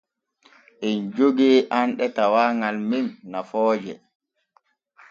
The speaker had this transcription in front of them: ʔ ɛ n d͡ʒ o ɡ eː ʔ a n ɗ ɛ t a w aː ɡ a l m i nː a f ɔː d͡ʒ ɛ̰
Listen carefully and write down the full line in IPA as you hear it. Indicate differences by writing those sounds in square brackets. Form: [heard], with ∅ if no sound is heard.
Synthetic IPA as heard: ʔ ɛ n d͡ʒ o ɡ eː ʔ a n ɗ ɛ t a w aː [ŋ] a l m i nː a f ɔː d͡ʒ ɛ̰